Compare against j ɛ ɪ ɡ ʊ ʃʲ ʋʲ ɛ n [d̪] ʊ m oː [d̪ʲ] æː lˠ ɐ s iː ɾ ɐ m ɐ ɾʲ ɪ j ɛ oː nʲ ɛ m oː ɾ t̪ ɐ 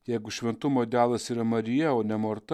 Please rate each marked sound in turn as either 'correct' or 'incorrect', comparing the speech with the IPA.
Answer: incorrect: t̪, correct

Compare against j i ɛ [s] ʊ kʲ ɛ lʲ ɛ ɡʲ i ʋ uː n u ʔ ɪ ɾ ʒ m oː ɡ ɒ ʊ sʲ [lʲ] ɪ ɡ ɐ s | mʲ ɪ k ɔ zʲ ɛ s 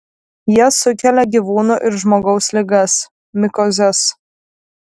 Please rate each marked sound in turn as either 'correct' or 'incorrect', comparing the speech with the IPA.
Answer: correct, correct

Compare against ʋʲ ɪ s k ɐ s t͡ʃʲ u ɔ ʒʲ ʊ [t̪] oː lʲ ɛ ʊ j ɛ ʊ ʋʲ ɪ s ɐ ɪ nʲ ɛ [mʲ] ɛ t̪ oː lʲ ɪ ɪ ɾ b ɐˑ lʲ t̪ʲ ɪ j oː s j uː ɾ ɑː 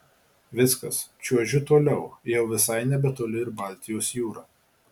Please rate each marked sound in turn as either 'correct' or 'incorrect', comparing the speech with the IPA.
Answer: correct, incorrect: bʲ

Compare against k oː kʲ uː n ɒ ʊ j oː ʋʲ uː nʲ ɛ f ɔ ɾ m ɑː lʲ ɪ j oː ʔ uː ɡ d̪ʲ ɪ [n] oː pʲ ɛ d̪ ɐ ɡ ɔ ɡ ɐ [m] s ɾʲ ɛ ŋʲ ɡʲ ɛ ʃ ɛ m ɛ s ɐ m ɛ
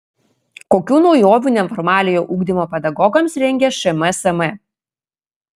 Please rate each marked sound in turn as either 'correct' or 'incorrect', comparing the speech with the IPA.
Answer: incorrect: m, correct

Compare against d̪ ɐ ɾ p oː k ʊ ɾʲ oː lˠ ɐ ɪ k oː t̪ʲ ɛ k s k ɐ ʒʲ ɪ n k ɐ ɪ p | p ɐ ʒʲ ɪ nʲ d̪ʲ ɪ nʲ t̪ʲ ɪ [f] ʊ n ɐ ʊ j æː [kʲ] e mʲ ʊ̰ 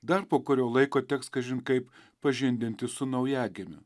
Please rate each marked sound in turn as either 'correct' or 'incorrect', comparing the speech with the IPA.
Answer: incorrect: s, incorrect: ɡʲ

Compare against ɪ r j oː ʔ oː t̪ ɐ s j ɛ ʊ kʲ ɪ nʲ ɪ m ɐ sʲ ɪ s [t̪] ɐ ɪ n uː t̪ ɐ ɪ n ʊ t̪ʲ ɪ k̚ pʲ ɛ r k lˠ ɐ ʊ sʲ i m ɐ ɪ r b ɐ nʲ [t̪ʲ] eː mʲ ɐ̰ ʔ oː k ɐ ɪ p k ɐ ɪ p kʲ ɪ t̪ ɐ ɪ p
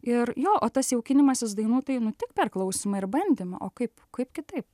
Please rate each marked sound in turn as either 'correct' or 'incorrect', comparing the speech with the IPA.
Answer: incorrect: d̪, incorrect: d̪ʲ

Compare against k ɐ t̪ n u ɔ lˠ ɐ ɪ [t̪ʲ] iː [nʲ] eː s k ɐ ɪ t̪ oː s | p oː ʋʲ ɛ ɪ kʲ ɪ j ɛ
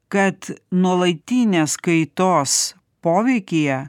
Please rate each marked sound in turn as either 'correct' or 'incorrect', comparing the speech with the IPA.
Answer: correct, correct

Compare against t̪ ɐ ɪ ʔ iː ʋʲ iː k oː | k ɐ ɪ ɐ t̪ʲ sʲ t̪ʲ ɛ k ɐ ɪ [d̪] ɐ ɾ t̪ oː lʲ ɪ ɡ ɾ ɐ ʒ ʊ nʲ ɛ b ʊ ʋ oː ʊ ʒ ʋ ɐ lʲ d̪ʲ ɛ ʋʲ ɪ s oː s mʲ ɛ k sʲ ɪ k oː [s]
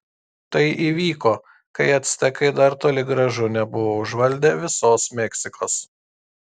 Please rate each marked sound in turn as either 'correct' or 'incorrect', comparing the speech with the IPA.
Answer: correct, correct

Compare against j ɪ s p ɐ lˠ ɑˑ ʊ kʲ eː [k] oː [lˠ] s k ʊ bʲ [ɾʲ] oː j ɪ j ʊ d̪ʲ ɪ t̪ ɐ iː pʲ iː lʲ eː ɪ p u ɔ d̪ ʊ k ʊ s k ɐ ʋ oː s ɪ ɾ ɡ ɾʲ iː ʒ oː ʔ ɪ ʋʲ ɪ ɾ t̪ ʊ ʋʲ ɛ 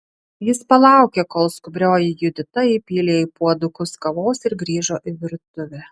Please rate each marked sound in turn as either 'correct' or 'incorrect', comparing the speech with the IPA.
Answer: correct, correct, correct

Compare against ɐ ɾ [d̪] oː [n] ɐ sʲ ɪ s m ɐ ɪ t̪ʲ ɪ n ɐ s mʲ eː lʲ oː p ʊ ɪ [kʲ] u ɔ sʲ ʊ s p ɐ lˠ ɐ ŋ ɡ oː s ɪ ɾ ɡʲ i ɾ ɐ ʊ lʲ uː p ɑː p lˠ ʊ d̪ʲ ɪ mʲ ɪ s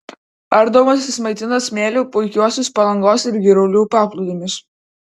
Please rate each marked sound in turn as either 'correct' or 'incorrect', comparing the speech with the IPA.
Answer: correct, incorrect: m, correct

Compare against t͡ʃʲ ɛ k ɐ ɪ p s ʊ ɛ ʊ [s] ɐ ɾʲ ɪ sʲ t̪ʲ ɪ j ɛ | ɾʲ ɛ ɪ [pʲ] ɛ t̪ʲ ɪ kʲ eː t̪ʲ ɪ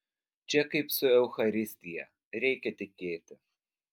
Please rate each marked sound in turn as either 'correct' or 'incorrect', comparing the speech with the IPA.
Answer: incorrect: x, incorrect: kʲ

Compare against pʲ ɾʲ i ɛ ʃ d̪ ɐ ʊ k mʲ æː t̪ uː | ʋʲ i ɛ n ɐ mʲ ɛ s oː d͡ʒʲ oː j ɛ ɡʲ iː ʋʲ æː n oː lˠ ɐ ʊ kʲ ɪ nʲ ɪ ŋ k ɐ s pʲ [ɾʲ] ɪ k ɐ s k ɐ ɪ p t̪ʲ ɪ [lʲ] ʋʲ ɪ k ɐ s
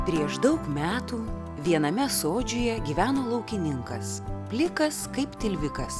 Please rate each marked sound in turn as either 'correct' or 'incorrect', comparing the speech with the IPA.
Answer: incorrect: lʲ, correct

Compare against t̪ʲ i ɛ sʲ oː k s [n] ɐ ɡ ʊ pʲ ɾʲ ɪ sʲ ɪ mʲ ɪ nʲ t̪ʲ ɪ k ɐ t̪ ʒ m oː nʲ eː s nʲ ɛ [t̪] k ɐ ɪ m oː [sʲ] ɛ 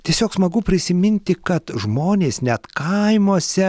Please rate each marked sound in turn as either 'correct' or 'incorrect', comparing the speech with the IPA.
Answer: incorrect: m, correct, correct

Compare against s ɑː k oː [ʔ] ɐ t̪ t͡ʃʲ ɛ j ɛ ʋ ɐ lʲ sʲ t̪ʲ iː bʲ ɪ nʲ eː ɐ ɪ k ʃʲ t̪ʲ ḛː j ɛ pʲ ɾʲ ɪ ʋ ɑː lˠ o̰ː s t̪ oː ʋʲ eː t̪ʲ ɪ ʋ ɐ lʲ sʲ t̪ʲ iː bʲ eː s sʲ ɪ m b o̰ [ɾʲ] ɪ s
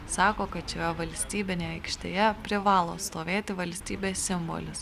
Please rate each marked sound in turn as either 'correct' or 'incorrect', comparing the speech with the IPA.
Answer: incorrect: k, incorrect: lʲ

